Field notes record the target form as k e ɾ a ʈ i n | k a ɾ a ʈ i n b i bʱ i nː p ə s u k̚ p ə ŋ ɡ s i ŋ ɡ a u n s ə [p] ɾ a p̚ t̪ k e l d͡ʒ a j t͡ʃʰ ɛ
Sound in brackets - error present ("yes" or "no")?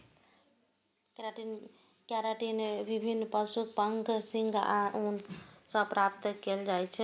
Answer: no